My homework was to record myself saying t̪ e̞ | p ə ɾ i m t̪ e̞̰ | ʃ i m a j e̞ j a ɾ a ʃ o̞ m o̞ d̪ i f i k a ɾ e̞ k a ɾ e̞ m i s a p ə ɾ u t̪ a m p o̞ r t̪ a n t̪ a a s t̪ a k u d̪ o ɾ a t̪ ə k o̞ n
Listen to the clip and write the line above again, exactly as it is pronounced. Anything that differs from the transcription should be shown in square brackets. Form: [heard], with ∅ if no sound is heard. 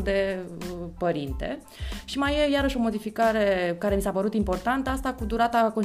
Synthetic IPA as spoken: [d̪] e̞ | p ə ɾ i [n] t̪ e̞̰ | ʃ i m a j e̞ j a ɾ [ə] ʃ o̞ m o̞ d̪ i f i k a ɾ e̞ k a ɾ e̞ m i s a p ə ɾ u t̪ [i] m p o̞ r t̪ a n t̪ [ə] a s t̪ a k u d̪ [u] ɾ a t̪ [a] k o̞ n